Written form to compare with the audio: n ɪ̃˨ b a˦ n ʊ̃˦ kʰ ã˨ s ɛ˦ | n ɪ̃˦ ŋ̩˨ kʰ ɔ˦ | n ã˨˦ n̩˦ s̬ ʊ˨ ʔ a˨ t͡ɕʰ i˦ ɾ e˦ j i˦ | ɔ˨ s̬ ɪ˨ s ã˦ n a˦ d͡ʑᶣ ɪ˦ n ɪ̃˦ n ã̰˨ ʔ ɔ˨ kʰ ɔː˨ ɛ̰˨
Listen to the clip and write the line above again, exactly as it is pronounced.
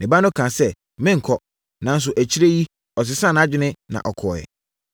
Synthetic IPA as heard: n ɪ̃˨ b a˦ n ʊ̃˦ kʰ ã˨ s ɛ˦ | m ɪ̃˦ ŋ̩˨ kʰ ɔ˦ | n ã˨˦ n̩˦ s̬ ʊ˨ ʔ æ˨ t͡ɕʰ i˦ ɾ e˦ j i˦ | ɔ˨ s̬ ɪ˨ s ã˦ n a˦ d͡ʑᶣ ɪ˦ n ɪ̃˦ n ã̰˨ ʔ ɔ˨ kʰ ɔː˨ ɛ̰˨